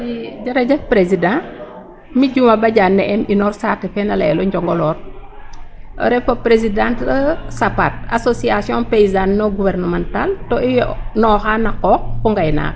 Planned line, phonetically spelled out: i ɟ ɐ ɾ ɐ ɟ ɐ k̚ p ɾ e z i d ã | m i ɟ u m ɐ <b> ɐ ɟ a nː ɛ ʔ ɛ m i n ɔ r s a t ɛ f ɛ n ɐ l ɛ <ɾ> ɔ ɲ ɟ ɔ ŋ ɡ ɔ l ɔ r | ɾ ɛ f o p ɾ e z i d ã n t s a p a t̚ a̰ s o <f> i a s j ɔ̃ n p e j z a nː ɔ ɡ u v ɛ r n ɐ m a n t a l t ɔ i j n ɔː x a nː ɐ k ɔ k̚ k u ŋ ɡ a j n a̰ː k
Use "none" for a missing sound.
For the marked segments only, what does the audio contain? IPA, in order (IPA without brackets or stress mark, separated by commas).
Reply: b, l, s